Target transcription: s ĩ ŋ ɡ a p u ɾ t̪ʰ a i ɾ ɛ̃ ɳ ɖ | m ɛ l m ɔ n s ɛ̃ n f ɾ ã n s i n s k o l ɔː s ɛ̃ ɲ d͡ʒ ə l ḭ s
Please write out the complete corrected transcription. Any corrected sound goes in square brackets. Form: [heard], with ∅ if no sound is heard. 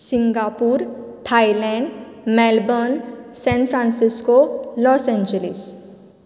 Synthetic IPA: s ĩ ŋ ɡ a p u ɾ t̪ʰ a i [l] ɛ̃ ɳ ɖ | m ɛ l [b] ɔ n s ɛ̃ n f ɾ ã n s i [∅] s k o l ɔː s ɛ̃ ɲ d͡ʒ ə l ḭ s